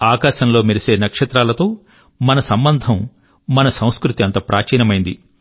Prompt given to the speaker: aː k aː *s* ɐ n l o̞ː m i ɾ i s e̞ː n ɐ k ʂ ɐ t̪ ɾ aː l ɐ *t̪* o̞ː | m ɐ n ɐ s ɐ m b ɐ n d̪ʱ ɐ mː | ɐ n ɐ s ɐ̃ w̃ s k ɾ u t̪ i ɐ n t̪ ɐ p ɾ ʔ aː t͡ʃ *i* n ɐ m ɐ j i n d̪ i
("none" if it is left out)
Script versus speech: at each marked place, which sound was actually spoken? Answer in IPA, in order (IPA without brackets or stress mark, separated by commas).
ʃ, t̪, iː